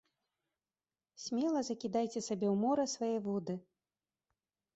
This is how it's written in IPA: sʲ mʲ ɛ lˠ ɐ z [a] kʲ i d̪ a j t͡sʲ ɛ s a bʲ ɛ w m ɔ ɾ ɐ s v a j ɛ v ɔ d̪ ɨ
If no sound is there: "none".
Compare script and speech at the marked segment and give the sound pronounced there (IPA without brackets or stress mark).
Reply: ɐ